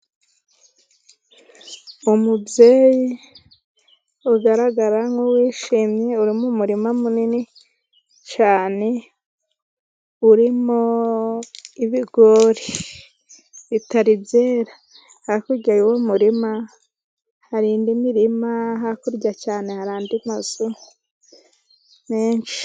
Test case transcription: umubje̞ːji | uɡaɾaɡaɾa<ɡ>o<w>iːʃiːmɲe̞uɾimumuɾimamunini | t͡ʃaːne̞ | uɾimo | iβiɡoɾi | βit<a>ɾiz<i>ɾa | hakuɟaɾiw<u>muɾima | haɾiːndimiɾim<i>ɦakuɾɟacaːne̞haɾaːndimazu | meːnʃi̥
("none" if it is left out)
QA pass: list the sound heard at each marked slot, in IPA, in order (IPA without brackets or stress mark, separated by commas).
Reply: ŋ, w, a, e, o, a